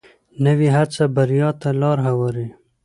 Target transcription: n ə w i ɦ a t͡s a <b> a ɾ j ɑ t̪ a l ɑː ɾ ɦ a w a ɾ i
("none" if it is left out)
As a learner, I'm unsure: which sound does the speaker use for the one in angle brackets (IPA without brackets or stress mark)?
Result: b